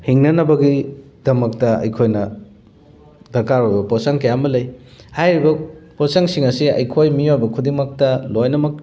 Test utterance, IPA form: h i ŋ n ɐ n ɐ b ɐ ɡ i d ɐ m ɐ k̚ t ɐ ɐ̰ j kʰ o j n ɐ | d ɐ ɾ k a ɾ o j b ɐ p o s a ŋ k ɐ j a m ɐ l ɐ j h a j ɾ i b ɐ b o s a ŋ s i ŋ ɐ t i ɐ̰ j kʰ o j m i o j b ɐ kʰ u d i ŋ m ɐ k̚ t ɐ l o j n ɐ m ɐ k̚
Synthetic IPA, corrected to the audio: h i ŋ n ɐ n ɐ b ɐ ɡ i d ɐ m ɐ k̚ t ɐ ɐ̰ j kʰ o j n ɐ | d ɐ ɾ k a ɾ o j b ɐ p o s a ŋ k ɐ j a m ɐ l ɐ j h a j ɾ i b ɐ p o s a ŋ s i ŋ ɐ s i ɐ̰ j kʰ o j m i o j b ɐ kʰ u d i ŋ m ɐ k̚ t ɐ l o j n ɐ m ɐ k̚